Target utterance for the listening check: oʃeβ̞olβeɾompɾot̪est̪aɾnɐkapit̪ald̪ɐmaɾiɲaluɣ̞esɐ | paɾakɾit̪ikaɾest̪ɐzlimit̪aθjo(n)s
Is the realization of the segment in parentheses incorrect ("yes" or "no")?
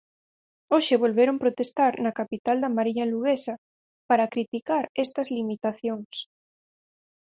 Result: yes